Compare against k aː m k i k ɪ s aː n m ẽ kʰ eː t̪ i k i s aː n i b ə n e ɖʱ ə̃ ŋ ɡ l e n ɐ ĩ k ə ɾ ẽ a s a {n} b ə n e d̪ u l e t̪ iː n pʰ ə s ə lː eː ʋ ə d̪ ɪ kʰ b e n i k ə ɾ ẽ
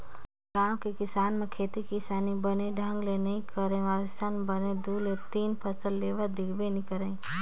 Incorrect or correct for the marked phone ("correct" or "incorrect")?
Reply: correct